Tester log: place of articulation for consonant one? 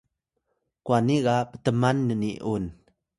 velar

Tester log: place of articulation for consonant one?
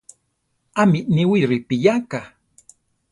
labial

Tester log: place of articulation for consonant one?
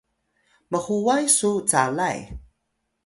labial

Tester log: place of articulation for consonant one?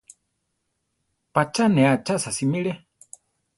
labial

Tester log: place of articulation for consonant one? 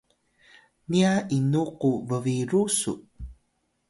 alveolar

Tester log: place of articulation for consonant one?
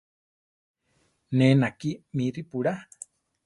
alveolar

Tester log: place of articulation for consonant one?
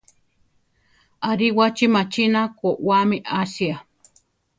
alveolar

